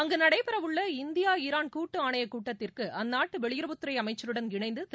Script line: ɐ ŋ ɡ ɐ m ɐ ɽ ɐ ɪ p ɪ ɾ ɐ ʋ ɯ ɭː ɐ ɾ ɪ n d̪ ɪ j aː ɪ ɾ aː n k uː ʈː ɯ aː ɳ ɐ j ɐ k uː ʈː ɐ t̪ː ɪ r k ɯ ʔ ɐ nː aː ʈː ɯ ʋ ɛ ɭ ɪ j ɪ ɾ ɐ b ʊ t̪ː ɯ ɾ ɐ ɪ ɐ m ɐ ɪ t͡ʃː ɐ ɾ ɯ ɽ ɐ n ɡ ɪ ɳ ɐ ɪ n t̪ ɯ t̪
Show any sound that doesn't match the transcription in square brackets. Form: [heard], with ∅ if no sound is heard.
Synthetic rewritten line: ɐ ŋ ɡ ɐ [n] ɐ ɽ ɐ ɪ p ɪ ɾ ɐ ʋ ɯ ɭː ɐ [∅] ɪ n d̪ ɪ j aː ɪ ɾ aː n k uː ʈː ɯ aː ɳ ɐ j ɐ k uː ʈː ɐ t̪ː ɪ r k ɯ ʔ ɐ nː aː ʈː ɯ ʋ ɛ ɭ ɪ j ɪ ɾ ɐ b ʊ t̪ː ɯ ɾ ɐ ɪ ɐ m ɐ ɪ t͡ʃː ɐ ɾ ɯ ɽ ɐ n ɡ ɪ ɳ ɐ ɪ n [d̪] ɯ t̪